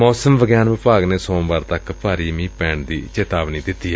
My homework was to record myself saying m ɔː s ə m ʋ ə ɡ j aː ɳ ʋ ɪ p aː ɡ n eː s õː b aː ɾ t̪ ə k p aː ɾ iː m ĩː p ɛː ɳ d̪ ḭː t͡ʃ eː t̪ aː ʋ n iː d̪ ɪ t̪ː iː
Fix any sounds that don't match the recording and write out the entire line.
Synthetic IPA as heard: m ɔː s ə m ʋ ə ɡ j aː n ʋ ɪ p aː ɡ n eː s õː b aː ɾ t̪ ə k p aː ɾ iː m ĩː p ɛː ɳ d̪ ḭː t͡ʃ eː t̪ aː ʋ n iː d̪ ɪ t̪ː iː